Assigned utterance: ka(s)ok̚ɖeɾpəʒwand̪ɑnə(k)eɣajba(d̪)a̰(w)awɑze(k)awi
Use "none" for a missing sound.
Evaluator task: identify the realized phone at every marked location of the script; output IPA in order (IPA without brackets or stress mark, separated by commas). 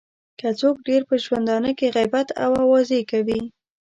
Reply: t͡s, k, t̪, w, k